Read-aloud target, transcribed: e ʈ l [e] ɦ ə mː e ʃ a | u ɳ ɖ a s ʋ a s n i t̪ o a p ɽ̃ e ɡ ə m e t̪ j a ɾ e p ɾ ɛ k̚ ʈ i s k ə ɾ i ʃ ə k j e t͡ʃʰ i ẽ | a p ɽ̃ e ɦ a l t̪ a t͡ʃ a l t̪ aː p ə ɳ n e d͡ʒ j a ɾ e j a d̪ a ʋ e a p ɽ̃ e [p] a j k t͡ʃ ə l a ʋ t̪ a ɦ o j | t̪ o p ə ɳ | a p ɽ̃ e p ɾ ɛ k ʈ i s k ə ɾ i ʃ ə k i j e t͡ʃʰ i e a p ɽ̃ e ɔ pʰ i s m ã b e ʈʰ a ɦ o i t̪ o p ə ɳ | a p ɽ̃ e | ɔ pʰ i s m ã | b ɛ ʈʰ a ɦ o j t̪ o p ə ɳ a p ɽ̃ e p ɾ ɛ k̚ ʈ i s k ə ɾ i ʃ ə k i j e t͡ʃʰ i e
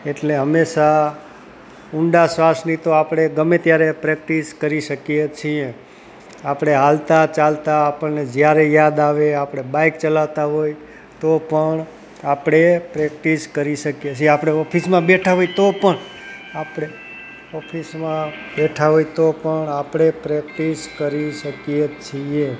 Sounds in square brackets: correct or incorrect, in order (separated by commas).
correct, incorrect